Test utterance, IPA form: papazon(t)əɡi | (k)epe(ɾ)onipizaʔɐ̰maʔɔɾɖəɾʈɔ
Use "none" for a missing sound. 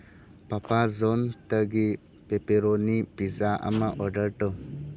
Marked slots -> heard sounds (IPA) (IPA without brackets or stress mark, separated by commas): t, p, ɾ